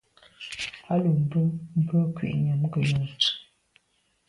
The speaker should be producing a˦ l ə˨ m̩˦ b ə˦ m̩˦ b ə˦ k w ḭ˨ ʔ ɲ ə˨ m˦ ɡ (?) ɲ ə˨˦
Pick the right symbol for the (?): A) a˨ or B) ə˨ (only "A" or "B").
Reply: B